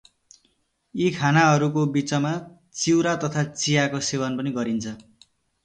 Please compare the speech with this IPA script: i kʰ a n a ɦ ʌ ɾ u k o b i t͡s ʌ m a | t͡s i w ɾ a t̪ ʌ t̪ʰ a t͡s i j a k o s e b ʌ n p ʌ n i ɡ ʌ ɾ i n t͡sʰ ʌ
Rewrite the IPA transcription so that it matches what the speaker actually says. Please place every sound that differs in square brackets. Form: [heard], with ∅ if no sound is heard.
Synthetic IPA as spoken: i kʰ a n a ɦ ʌ ɾ u k o b i t͡s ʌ m a | t͡s i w ɾ a t̪ ʌ t̪ʰ a t͡s i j a k o s e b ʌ n p ʌ n i ɡ ʌ ɾ i n t͡sʰ ʌ